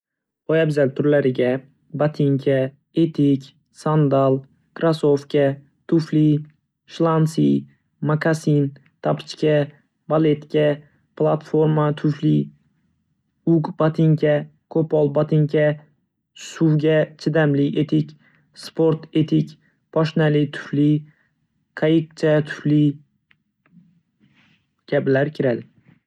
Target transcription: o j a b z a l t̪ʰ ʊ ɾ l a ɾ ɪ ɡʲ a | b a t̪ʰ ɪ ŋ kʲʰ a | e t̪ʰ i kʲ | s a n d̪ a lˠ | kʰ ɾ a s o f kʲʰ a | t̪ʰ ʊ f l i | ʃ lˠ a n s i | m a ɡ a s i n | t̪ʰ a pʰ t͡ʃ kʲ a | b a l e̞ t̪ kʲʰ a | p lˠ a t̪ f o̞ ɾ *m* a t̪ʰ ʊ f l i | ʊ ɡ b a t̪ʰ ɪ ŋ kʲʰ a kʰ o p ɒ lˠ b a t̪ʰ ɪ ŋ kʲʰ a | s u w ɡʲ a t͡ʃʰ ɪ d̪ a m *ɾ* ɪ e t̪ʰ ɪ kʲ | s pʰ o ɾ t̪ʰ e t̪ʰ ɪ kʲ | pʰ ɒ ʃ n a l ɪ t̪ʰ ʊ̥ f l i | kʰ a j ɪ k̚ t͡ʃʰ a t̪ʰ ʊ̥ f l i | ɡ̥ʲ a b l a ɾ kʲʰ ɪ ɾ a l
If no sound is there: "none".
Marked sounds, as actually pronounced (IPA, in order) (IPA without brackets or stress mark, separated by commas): m, l